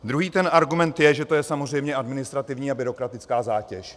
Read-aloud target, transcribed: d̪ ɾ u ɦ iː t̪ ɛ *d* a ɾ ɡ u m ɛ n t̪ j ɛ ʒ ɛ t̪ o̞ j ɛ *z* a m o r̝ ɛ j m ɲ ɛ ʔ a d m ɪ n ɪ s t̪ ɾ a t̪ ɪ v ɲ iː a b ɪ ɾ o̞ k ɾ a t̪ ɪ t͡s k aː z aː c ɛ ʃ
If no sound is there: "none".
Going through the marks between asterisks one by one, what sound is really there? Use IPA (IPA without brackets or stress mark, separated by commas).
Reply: n, s